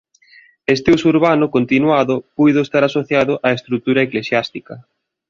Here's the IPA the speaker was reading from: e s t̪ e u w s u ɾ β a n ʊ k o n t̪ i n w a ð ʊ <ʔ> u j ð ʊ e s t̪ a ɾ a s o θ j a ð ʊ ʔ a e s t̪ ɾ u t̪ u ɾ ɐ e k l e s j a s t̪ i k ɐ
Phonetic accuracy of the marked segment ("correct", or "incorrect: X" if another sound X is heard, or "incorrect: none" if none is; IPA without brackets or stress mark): incorrect: p